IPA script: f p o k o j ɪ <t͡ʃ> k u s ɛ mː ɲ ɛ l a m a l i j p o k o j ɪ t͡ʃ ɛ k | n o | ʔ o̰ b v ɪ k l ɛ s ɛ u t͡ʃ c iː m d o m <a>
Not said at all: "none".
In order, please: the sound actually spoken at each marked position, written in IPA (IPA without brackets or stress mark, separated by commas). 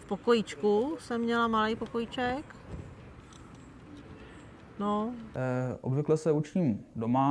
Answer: t͡ʃ, a